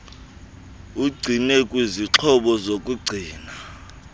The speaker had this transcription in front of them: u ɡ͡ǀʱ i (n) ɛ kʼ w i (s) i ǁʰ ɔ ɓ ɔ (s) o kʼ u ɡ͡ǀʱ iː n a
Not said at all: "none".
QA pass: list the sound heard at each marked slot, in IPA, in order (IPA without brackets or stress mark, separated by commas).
n, z, z